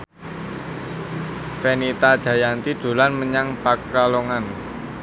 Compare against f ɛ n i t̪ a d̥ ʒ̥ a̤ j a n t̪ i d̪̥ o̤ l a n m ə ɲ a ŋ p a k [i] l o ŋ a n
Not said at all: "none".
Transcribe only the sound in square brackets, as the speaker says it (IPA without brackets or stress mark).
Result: a